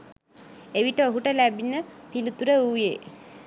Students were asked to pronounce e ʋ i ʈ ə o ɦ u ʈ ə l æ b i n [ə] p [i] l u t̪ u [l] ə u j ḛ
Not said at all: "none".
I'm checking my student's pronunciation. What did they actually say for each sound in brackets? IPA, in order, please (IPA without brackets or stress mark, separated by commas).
ə, i, ɾ